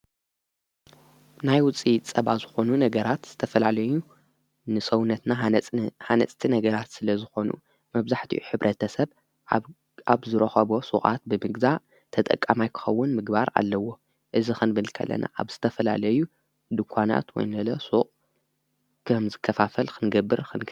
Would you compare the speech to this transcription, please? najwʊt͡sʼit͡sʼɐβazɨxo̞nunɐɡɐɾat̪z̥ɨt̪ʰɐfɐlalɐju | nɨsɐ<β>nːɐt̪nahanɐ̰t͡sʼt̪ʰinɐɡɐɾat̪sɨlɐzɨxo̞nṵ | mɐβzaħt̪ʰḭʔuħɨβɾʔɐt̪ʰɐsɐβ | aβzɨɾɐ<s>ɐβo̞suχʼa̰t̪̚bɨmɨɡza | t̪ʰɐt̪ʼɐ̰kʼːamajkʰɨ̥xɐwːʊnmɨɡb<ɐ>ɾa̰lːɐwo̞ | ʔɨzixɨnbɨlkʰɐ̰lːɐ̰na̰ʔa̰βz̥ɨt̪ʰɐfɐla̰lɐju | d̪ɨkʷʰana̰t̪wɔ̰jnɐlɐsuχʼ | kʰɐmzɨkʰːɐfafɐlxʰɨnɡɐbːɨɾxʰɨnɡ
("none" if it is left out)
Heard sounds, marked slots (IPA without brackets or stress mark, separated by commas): w, x, a